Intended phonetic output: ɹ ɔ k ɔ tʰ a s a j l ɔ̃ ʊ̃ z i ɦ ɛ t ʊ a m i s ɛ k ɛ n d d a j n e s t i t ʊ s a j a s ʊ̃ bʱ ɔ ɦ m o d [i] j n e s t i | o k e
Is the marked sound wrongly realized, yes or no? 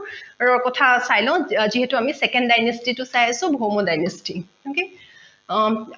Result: yes